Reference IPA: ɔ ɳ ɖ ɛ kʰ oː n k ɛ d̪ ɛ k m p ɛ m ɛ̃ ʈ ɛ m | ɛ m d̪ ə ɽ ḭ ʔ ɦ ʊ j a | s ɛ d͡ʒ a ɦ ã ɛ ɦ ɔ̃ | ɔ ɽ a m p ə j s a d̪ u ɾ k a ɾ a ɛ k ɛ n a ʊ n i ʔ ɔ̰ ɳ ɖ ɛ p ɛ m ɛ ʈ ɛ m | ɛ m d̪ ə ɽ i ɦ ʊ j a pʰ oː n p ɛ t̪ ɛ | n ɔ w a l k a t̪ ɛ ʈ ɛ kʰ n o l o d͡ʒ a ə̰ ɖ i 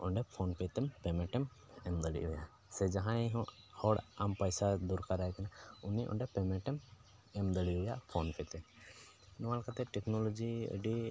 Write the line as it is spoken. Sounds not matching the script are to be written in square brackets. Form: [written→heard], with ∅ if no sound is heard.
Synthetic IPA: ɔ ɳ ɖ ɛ [kʰ→pʰ] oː n [k→p] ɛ [d̪→t̪] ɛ [k→∅] m p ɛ m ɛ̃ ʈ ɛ m | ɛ m d̪ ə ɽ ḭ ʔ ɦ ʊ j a | s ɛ d͡ʒ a ɦ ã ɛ ɦ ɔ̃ | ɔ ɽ a m p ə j s a d̪ u ɾ k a ɾ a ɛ k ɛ n a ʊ n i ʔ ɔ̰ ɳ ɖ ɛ p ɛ m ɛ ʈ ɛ m | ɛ m d̪ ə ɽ i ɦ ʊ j a pʰ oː n p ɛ t̪ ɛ | n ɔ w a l k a t̪ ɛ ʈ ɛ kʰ n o l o d͡ʒ [a→i] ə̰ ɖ i